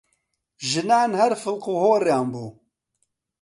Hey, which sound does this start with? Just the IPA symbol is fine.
ʒ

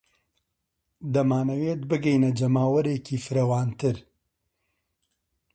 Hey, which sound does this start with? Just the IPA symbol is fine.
d̪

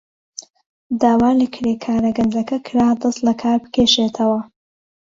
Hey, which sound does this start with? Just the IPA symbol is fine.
d̪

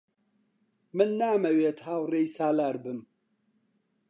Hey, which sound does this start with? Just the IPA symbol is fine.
m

